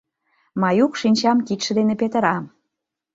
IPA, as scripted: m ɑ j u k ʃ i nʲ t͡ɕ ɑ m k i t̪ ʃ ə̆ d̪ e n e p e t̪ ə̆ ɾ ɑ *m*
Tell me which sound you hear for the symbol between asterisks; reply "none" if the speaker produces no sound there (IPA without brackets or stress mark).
m